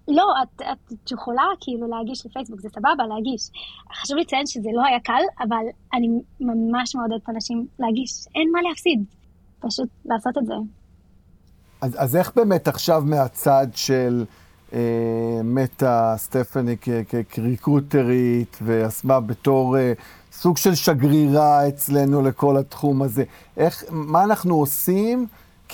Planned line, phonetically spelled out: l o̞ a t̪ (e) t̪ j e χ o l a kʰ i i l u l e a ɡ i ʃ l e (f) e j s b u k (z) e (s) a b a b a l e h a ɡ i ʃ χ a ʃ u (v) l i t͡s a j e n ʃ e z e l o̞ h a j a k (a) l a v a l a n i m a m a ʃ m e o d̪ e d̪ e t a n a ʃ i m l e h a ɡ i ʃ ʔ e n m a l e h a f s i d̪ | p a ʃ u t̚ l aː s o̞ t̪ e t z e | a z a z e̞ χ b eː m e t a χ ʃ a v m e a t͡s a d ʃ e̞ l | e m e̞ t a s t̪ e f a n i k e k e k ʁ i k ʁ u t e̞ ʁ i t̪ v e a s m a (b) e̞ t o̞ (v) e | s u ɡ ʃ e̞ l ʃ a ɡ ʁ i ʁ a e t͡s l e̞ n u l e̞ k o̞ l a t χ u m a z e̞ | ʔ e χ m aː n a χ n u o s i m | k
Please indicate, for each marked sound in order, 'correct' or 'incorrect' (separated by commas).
incorrect, correct, correct, correct, correct, correct, correct, incorrect